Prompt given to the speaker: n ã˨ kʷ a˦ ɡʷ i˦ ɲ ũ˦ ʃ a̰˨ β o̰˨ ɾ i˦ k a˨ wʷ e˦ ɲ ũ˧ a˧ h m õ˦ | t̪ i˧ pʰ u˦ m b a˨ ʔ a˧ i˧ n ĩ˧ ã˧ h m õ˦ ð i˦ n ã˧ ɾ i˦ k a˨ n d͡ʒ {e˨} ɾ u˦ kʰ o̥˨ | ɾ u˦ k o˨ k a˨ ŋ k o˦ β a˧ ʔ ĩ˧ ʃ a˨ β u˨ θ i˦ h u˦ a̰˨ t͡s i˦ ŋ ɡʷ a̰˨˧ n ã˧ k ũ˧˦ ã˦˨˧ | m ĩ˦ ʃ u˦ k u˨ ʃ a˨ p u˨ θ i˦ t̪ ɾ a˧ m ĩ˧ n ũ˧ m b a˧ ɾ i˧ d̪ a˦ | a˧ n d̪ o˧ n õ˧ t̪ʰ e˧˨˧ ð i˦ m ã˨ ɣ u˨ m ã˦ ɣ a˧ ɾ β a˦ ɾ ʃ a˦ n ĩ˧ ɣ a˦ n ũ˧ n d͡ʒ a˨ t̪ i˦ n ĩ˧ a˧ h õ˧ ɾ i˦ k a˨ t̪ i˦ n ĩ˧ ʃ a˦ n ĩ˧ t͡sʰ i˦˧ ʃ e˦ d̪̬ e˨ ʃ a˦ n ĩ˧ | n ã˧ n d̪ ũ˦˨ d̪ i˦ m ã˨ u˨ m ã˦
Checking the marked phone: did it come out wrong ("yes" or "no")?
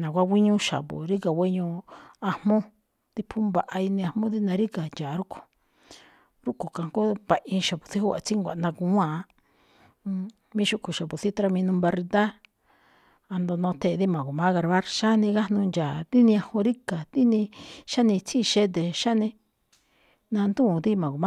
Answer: yes